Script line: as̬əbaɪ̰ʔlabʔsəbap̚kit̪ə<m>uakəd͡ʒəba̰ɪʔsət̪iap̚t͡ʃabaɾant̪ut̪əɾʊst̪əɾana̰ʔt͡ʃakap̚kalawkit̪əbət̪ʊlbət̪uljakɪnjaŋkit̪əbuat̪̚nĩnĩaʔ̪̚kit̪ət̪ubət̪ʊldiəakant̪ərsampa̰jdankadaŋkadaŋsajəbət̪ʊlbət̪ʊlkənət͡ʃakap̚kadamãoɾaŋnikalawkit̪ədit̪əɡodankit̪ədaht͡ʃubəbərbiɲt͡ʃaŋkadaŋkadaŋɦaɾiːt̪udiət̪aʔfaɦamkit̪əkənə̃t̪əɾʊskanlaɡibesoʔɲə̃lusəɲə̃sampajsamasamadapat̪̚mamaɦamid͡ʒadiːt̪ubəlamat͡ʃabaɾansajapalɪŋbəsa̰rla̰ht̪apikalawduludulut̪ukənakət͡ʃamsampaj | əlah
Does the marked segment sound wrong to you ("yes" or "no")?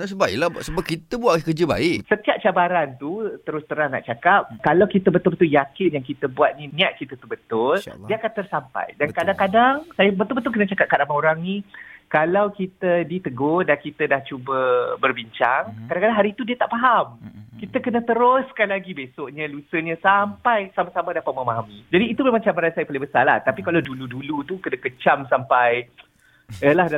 yes